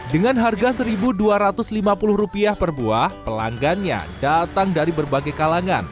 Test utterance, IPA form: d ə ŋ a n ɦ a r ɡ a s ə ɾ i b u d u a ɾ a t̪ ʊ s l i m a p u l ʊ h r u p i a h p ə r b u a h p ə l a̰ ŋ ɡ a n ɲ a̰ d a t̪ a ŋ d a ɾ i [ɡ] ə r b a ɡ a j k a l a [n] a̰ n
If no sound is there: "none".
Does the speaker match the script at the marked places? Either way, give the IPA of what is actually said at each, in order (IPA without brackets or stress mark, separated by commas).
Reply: b, ŋ